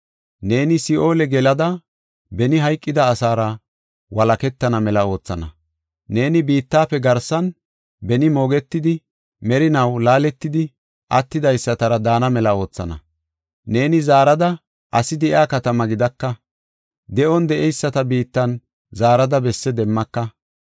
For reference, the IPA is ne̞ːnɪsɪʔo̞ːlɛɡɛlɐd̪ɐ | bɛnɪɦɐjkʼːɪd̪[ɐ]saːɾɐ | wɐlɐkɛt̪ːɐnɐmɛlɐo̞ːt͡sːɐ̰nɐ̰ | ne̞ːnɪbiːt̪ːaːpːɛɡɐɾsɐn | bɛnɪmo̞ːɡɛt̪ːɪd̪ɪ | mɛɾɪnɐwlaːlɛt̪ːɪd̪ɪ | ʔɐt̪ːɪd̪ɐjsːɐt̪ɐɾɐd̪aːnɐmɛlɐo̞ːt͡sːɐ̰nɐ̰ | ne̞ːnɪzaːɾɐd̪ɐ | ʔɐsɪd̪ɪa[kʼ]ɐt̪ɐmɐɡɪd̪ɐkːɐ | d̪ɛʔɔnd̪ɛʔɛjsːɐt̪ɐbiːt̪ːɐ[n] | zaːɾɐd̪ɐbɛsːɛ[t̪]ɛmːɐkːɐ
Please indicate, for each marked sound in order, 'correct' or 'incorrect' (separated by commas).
incorrect, incorrect, correct, incorrect